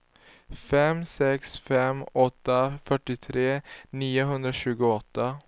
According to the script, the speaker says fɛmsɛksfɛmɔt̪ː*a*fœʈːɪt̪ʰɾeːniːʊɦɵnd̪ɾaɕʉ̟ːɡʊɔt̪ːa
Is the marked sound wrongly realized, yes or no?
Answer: no